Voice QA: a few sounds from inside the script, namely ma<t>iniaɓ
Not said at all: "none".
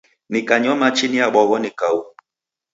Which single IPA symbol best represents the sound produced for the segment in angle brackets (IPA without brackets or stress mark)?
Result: t͡ʃ